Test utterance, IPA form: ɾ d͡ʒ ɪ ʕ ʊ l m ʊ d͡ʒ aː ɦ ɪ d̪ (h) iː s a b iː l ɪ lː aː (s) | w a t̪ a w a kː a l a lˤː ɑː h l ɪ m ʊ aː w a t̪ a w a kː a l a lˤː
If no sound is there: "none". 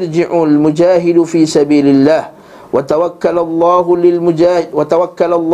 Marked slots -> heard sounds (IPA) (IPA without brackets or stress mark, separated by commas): f, h